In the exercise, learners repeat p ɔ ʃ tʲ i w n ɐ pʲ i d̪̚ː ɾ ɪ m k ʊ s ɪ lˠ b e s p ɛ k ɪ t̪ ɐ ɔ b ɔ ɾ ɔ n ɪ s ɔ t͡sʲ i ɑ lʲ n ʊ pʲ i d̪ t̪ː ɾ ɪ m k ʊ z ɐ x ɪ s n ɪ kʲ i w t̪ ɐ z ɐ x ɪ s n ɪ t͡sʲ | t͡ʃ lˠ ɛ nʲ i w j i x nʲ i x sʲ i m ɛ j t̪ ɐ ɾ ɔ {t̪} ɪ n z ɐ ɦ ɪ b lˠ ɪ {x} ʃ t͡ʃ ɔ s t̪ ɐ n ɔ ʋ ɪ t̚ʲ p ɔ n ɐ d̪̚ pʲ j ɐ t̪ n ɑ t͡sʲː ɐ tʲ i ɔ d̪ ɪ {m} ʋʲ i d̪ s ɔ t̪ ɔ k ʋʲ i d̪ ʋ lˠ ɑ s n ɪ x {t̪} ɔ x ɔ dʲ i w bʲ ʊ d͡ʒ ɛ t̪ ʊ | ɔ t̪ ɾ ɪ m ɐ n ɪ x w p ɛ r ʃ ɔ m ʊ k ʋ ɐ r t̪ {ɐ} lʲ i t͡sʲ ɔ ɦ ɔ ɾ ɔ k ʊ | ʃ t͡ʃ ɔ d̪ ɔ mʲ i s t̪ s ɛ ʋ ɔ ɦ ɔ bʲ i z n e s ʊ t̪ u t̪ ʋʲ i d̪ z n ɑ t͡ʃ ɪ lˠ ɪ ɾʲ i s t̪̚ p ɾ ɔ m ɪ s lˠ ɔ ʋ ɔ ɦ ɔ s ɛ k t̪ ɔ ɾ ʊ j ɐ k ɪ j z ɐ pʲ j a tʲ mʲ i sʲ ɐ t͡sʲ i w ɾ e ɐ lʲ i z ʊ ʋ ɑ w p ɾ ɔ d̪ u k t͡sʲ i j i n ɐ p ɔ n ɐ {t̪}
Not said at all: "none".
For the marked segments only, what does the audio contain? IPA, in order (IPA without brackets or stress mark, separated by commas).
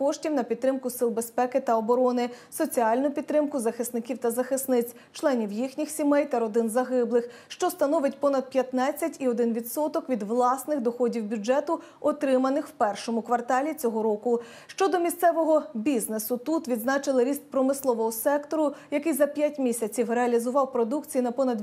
d̪, x, n, d̪, ɑ, d̪